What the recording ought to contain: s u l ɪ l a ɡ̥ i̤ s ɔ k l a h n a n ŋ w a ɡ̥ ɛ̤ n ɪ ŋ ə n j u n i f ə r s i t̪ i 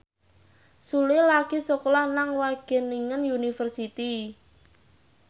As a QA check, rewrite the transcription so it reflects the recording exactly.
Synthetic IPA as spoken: s u l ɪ l a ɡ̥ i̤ s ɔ k l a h n a ŋ w a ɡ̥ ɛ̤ n i ŋ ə n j u n i f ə r s i t̪ i